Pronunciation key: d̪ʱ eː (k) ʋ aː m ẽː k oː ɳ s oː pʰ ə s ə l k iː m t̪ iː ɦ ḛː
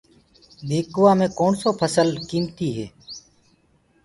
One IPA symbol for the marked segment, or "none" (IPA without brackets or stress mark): k